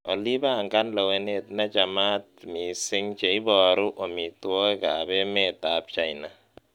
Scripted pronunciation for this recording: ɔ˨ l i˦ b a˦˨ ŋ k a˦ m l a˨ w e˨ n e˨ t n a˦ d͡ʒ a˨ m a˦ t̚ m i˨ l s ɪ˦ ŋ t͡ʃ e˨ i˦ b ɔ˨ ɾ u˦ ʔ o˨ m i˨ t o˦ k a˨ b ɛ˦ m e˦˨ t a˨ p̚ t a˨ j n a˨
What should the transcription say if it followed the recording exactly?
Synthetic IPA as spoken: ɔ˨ l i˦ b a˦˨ ŋ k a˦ n l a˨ w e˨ n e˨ t n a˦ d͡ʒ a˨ m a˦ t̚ m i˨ s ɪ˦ ŋ t͡ʃ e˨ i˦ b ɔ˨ ɾ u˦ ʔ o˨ m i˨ t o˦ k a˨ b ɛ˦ m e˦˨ t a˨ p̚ t͡ʃ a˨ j n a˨